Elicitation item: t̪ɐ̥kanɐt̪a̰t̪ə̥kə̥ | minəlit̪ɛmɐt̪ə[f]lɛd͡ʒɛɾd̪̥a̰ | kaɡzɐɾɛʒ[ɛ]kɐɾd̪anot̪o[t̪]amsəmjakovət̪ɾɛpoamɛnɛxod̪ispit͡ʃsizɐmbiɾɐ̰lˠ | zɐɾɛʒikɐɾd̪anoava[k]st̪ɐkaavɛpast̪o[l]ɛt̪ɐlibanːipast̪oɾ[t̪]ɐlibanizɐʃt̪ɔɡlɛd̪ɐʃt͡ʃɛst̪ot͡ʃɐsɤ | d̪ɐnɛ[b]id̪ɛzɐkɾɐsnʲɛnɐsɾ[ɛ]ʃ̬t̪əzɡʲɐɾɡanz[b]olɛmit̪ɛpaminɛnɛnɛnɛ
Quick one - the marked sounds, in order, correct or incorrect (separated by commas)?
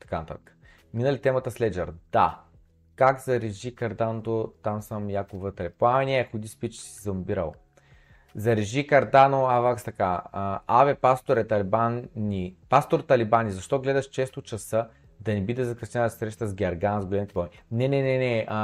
incorrect, incorrect, correct, correct, incorrect, correct, correct, correct, incorrect